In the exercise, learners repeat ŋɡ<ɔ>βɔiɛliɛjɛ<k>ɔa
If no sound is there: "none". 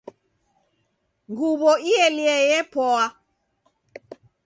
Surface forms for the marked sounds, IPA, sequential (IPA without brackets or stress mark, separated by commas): u, p